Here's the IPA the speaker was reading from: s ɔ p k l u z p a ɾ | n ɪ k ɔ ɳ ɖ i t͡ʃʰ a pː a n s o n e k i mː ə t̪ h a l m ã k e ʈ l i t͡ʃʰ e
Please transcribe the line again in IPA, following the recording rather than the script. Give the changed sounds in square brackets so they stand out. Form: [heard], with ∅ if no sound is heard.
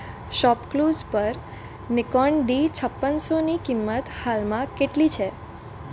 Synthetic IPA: [ʃ] ɔ p k l u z p [ə] ɾ | n ɪ k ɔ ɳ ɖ i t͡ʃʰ [ə] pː [ə] n s o n [i] k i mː ə t̪ h a l m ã k e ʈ l i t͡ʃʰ e